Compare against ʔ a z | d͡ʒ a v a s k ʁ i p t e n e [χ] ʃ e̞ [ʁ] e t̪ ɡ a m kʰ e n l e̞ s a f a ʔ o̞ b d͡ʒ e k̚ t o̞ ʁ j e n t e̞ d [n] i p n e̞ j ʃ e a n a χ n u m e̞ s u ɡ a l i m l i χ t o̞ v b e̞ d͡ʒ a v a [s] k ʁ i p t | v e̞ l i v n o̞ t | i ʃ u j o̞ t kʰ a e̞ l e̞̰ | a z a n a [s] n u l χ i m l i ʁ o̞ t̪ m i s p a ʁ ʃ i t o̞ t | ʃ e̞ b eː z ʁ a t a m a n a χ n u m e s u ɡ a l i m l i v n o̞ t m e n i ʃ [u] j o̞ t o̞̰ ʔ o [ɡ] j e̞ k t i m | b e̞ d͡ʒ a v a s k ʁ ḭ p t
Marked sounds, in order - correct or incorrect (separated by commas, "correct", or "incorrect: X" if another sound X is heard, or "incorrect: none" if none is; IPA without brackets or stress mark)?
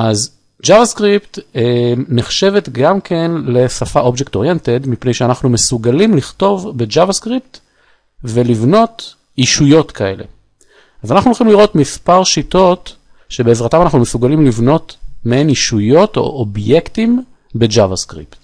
correct, incorrect: v, incorrect: m, correct, incorrect: χ, correct, incorrect: b